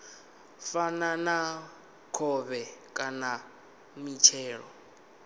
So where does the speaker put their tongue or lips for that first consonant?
lips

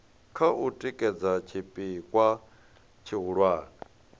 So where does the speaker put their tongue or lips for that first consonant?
velum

